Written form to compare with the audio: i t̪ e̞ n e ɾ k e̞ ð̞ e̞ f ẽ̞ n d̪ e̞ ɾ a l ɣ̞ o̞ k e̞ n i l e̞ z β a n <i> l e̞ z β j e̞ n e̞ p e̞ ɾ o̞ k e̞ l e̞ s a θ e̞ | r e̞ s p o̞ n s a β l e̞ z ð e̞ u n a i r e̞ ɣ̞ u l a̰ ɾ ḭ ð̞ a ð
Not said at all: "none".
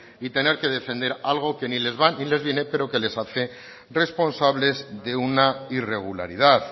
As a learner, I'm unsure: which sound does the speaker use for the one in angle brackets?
i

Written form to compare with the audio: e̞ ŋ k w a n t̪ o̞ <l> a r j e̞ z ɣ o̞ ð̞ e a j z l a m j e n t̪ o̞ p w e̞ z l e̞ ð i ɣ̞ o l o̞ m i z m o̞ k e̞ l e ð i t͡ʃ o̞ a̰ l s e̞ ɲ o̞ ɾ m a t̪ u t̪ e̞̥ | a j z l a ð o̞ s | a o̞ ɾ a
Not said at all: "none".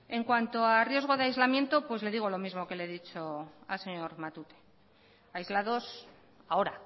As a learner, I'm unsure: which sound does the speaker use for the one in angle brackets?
none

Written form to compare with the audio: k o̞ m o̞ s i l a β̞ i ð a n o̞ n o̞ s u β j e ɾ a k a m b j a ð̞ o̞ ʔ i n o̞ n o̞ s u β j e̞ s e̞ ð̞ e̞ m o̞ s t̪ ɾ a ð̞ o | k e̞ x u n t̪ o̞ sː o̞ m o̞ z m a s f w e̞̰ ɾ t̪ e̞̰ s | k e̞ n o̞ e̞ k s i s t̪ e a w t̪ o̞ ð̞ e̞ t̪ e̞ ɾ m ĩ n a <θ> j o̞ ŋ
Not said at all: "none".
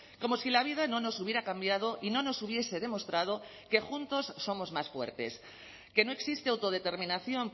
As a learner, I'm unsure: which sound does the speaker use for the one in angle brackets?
θ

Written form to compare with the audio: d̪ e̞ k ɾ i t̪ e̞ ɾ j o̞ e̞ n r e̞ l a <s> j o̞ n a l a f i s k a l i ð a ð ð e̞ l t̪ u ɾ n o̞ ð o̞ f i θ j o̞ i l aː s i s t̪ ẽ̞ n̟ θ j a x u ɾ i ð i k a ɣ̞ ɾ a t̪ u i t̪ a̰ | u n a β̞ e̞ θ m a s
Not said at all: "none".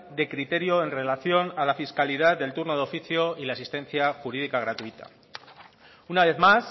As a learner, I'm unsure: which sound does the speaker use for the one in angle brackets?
θ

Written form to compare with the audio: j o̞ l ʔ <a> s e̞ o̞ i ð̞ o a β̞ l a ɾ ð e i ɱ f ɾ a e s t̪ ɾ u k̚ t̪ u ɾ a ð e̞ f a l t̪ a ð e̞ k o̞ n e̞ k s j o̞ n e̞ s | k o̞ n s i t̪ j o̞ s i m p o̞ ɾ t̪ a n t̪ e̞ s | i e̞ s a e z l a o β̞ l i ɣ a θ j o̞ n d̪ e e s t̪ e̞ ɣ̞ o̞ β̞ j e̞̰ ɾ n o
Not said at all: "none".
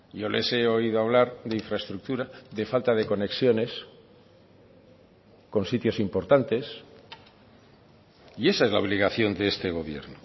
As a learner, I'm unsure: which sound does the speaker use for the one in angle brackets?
e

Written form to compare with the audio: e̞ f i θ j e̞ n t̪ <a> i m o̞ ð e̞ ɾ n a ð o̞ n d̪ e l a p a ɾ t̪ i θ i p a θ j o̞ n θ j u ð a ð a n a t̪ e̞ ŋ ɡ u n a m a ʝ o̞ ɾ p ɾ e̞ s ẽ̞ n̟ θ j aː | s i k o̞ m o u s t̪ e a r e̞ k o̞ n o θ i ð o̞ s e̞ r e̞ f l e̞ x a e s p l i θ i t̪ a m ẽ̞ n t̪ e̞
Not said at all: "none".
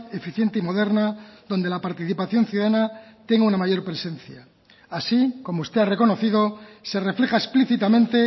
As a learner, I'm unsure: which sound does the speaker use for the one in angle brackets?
e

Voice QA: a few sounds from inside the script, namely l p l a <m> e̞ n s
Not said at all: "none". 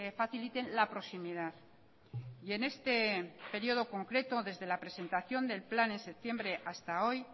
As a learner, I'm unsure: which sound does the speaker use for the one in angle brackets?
n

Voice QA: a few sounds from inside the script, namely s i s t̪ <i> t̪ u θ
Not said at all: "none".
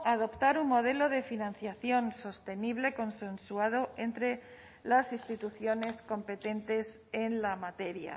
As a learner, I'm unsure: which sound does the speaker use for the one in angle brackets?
i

